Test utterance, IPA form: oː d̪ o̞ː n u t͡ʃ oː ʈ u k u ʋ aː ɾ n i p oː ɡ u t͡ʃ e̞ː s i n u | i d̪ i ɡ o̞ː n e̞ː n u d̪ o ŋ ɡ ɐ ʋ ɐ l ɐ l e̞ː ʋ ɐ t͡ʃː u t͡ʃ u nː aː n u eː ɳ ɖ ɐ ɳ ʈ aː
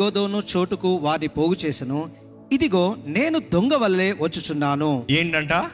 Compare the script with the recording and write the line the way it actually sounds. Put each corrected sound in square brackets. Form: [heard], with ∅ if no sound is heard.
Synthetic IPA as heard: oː d̪ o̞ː n u t͡ʃ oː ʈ u k u ʋ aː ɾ n i p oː ɡ u t͡ʃ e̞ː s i n u | i d̪ i ɡ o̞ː n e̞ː n u d̪ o ŋ ɡ ɐ ʋ ɐ l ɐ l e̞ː ʋ ɐ t͡ʃː u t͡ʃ u nː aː n u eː ɳ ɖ ɐ ɳ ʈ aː